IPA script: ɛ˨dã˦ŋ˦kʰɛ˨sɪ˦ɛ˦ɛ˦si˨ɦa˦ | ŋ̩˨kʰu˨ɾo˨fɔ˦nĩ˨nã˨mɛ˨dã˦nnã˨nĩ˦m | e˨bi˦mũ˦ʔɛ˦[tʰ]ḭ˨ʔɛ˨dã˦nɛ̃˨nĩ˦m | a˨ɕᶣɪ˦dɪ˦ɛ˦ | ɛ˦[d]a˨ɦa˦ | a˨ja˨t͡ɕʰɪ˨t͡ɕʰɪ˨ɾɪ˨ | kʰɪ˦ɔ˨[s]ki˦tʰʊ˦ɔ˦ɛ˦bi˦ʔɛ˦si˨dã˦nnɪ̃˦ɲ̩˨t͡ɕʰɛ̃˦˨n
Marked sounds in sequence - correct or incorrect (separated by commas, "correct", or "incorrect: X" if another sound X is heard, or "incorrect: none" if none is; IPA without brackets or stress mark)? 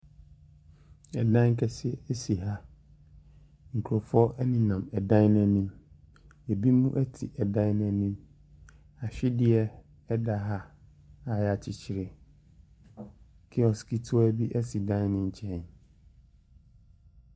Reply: correct, correct, correct